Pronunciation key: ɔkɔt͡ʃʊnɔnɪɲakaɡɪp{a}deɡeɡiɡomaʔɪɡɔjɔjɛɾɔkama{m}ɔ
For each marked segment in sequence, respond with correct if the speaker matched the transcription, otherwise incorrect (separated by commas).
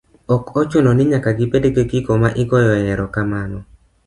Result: incorrect, incorrect